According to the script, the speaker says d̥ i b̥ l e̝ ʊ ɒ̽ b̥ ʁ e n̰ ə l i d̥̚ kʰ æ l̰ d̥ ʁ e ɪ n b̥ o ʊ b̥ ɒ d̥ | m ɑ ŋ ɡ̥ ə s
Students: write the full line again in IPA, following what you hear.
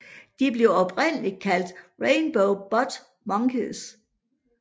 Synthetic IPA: d̥ i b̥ l e̝ ʊ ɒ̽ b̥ ʁ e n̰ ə l i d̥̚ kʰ æ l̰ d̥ ʁ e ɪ n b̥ o ʊ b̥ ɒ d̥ | m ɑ ŋ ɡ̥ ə s